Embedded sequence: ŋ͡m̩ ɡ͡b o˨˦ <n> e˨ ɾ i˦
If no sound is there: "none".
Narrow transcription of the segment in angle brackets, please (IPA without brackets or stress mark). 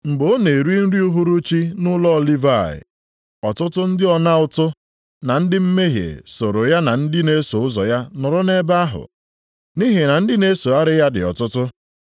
n